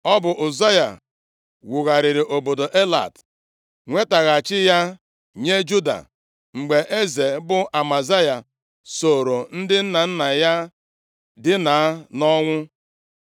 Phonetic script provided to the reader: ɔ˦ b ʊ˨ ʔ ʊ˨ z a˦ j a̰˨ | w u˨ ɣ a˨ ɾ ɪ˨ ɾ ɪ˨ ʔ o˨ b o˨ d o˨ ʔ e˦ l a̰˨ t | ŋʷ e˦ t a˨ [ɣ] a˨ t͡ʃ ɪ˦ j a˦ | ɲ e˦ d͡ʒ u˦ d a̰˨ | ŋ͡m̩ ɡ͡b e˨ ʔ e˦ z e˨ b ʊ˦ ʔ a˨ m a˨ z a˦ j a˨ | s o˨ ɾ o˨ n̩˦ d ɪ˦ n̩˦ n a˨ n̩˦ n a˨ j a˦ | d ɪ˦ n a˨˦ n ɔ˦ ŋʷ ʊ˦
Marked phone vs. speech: correct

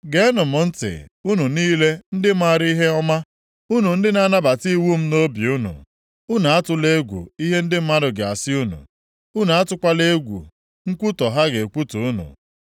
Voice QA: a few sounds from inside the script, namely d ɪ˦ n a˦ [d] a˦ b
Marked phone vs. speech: incorrect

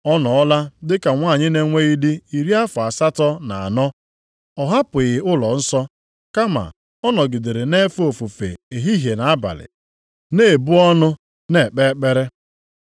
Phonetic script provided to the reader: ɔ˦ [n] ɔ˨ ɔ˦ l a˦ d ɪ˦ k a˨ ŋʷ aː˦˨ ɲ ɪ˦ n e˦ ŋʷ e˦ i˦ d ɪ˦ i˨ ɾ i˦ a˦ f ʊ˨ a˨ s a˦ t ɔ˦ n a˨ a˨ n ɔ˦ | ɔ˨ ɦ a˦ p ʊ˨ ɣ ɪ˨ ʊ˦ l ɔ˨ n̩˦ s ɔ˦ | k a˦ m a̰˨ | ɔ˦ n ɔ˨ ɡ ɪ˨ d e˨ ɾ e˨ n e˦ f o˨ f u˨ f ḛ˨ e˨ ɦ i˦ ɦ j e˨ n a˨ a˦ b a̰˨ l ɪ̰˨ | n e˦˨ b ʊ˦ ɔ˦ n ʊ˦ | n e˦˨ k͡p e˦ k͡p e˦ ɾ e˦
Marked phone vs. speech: correct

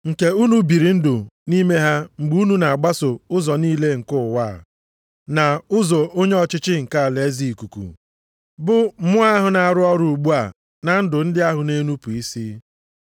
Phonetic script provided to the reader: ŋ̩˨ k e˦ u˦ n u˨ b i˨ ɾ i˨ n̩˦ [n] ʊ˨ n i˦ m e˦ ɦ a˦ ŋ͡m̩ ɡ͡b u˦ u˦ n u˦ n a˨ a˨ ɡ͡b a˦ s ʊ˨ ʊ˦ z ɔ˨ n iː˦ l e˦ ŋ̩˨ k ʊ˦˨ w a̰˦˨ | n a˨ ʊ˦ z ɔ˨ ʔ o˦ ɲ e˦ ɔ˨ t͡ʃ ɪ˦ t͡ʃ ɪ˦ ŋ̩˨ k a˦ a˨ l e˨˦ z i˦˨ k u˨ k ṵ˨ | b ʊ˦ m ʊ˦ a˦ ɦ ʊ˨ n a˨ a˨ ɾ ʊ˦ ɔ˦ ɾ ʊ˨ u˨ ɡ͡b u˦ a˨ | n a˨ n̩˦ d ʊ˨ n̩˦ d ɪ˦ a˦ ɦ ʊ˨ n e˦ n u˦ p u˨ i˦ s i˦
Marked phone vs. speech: incorrect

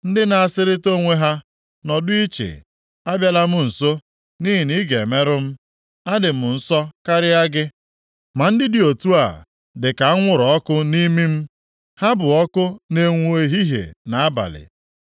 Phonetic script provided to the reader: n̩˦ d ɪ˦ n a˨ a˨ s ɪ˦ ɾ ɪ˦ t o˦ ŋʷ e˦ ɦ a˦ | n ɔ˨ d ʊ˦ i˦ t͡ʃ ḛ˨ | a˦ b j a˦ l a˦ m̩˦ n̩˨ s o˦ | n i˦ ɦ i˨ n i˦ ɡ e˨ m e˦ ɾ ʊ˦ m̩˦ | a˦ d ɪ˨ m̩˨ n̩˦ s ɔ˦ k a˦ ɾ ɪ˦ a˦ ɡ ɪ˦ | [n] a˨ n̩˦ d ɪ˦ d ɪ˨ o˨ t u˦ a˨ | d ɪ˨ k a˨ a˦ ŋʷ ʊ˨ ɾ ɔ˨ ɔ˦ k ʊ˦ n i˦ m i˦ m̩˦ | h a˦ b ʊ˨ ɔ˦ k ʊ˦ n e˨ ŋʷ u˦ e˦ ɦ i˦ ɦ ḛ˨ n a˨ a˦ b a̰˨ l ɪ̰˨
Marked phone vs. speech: incorrect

